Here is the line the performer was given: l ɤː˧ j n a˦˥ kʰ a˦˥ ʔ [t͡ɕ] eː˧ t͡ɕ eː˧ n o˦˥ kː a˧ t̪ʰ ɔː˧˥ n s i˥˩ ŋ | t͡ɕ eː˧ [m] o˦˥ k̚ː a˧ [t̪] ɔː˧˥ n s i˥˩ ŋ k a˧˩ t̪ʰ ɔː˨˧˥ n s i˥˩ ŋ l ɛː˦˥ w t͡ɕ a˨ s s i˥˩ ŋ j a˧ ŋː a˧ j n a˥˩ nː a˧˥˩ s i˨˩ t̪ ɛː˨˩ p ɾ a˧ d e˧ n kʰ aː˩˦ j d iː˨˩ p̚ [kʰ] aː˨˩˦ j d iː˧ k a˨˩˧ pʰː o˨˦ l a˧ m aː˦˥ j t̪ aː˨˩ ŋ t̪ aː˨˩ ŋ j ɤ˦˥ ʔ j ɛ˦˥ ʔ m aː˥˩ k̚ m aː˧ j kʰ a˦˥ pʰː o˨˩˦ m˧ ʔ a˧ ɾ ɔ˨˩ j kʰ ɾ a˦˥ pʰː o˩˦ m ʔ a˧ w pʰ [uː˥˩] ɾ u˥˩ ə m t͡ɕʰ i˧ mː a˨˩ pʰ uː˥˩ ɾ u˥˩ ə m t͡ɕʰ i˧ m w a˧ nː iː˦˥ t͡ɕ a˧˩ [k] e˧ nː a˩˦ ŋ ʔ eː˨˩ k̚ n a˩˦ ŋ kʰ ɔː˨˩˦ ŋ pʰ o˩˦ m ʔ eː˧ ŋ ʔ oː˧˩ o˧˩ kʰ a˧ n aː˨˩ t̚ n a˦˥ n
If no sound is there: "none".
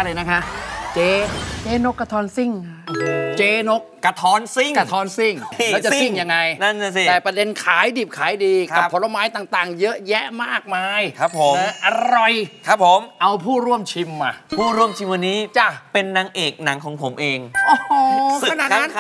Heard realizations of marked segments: t͡ɕ, n, t̪ʰ, kʰ, uː˥˩, p

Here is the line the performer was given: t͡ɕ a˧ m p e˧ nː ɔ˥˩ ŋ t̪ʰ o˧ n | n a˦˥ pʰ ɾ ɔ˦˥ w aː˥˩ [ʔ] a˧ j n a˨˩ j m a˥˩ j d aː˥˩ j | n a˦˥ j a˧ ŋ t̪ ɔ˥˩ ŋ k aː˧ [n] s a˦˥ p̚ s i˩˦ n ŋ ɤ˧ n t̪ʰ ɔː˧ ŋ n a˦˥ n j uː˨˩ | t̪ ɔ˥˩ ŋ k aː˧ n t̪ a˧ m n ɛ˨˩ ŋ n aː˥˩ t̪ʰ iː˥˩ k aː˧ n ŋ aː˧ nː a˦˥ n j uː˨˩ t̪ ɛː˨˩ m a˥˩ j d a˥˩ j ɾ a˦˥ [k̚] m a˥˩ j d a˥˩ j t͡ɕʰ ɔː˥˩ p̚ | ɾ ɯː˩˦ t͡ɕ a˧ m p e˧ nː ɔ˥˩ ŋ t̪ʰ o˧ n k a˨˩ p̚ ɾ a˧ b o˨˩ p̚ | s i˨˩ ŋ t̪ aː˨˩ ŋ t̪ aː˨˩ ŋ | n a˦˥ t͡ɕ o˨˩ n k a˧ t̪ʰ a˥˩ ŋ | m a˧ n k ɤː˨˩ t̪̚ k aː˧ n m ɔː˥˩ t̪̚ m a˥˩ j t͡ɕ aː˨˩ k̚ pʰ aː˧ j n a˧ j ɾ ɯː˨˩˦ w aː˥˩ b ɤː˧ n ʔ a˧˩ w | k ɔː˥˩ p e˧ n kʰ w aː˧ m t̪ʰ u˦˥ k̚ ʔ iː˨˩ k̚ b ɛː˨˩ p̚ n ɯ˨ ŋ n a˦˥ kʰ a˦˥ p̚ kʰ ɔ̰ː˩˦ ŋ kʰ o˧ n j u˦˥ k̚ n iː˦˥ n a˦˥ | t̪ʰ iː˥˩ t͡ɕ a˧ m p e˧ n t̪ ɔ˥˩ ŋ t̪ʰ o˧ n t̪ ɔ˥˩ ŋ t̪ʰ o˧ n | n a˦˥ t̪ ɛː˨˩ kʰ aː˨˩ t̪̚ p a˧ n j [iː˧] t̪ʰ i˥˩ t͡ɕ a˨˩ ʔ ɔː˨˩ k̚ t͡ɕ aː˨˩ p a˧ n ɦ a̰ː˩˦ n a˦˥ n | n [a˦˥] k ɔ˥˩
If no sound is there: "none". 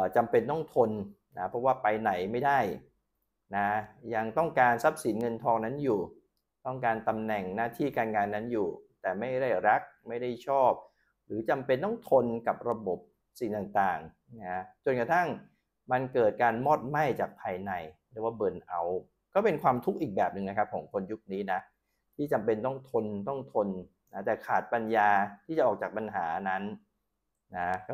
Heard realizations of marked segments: p, n, k̚, aː˧, a˦˥

